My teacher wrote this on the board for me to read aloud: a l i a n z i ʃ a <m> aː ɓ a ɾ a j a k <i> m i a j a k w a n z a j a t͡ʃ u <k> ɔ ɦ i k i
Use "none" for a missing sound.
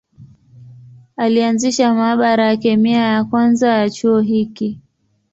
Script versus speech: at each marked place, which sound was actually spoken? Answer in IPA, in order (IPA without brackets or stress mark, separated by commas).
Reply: m, ɛ, none